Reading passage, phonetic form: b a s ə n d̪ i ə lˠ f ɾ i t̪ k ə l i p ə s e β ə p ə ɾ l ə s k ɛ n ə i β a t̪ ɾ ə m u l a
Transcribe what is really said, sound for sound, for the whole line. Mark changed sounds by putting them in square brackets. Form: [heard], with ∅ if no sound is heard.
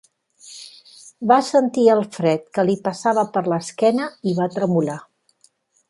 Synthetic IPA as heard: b a s ə n [t̪] i ə lˠ f ɾ [ɛ] t̪ k ə l i p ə s [a] β ə p ə ɾ l ə s k ɛ n ə i β a t̪ ɾ ə m u l a